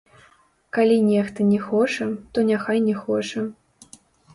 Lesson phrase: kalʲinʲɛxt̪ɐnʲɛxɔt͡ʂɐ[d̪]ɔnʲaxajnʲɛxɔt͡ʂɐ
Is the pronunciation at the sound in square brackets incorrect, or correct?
incorrect